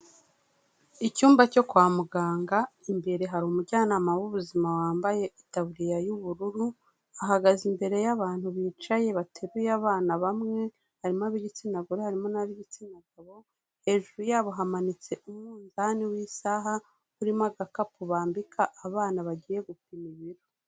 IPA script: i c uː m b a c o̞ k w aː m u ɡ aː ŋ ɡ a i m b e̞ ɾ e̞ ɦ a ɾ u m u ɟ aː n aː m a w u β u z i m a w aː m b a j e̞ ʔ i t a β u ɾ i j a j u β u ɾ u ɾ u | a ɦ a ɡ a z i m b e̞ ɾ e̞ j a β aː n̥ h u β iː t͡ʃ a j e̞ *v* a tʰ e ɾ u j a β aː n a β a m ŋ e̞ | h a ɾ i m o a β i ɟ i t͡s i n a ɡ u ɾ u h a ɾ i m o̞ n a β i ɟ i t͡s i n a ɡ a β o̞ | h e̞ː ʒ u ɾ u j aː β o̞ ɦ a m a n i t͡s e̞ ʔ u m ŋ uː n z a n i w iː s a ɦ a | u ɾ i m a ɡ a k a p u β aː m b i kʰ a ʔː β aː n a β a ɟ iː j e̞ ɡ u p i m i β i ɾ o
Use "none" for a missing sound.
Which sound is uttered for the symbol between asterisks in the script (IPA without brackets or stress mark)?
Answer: β